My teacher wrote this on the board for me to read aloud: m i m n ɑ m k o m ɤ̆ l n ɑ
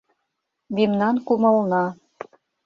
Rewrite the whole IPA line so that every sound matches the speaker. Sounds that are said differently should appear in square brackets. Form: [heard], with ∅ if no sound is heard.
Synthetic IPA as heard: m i m n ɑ [n] k [u] m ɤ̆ l n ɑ